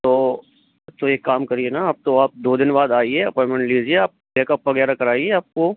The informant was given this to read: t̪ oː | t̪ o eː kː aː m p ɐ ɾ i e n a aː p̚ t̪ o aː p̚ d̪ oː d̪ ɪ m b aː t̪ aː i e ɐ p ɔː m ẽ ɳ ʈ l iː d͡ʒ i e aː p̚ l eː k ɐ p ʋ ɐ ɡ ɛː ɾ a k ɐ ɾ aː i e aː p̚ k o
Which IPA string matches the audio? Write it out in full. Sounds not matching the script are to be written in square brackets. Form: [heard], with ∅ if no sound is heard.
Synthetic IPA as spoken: t̪ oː | t̪ o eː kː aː m [k] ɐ ɾ i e n a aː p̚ t̪ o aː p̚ d̪ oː d̪ ɪ [n] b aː [d̪] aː i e ɐ p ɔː m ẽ ɳ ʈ l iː d͡ʒ i e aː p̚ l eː k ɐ p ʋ ɐ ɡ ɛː ɾ a k ɐ ɾ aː i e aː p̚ k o